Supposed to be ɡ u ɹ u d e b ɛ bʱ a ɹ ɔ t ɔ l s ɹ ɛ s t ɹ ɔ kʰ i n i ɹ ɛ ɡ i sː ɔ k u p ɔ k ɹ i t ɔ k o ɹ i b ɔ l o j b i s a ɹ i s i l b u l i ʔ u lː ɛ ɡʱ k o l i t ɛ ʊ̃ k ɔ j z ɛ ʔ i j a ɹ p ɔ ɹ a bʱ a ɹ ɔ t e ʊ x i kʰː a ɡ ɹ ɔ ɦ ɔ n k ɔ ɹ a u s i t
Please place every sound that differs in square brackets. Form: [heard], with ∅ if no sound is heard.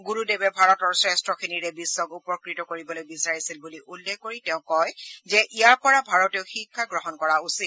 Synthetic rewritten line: ɡ u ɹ u d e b ɛ bʱ a ɹ ɔ t ɔ [ɹ] s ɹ ɛ s t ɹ ɔ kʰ i n i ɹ ɛ [b] i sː ɔ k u p ɔ k ɹ i t ɔ k o ɹ i b ɔ l o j b i s a ɹ i s i l b u l i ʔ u lː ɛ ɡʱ k o [ɹ] i t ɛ ʊ̃ k ɔ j z ɛ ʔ i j a ɹ p ɔ ɹ a bʱ a ɹ ɔ t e ʊ x i kʰː a ɡ ɹ ɔ ɦ ɔ n k ɔ ɹ a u s i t